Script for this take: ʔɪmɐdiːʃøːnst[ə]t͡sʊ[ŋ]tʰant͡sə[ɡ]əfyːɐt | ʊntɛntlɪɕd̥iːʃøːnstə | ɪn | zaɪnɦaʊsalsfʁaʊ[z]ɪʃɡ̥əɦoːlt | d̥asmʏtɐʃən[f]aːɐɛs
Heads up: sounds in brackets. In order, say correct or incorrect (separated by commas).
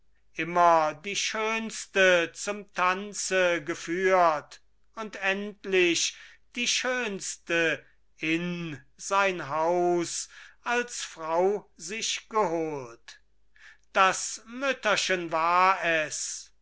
correct, incorrect, correct, correct, incorrect